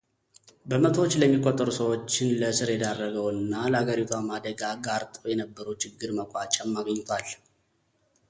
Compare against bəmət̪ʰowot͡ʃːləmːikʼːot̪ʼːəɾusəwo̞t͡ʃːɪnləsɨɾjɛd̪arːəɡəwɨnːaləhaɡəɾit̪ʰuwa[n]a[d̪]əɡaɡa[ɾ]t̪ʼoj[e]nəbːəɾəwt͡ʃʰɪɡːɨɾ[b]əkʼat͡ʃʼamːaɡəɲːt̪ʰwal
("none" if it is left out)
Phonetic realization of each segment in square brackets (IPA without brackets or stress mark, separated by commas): m, d̪, ɾ, ɛ, m